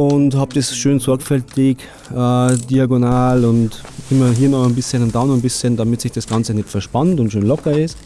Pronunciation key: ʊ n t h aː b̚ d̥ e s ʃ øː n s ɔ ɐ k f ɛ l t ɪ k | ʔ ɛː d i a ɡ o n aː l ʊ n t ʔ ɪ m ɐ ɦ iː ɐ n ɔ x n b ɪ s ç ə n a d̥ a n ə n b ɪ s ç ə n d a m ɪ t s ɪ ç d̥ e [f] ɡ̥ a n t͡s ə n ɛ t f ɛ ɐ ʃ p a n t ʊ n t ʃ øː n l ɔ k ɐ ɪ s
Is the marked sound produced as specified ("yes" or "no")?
no